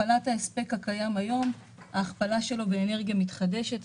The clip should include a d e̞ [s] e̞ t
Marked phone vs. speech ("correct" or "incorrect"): incorrect